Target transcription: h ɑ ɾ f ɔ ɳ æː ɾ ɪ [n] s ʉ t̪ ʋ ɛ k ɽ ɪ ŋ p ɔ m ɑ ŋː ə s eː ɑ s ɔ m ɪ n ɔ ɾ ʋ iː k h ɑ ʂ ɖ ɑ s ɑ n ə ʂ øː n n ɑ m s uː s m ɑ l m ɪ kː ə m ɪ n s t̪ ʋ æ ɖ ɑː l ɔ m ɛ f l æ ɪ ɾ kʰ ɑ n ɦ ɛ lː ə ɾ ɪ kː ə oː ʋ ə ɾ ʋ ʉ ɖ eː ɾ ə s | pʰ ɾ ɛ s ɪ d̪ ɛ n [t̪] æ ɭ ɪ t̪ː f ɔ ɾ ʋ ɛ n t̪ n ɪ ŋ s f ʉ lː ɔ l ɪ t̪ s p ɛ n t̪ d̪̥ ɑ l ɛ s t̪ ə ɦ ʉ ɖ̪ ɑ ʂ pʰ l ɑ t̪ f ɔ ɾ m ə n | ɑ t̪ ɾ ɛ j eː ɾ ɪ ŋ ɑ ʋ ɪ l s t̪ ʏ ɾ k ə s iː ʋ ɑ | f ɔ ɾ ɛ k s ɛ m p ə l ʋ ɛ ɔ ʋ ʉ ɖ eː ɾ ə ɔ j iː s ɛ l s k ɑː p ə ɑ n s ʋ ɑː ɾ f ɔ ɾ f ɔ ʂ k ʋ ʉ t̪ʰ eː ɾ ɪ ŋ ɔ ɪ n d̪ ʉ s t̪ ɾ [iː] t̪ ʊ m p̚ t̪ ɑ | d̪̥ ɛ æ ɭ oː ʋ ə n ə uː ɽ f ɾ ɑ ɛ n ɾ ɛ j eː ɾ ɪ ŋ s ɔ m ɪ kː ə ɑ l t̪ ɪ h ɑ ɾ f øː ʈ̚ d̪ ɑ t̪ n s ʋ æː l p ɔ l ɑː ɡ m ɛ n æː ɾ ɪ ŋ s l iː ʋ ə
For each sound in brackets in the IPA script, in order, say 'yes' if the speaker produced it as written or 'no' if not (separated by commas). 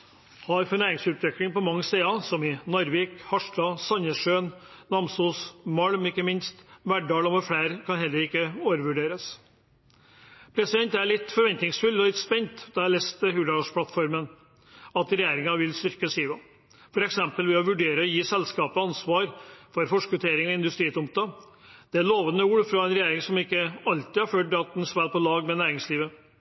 no, yes, yes